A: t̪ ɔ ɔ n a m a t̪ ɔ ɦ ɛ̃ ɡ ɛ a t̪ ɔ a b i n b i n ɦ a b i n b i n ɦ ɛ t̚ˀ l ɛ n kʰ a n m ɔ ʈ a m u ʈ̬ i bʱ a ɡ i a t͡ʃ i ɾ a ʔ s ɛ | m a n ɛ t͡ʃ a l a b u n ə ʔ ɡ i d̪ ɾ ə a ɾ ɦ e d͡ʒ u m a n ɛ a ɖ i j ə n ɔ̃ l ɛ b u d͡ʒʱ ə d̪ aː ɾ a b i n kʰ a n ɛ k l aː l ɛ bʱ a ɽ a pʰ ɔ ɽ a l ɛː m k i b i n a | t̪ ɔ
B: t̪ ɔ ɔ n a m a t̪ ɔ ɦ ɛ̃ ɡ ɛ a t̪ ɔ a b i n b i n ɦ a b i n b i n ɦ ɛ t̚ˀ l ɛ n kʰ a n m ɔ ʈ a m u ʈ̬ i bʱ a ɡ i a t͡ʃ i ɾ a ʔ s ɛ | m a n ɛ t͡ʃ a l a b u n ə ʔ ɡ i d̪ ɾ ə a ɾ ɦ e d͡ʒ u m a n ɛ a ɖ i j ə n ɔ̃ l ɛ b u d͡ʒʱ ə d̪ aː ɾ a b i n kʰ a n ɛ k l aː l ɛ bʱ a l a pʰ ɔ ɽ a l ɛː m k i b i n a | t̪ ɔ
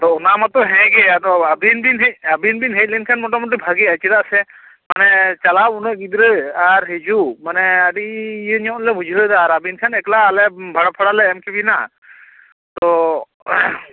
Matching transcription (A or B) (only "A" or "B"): A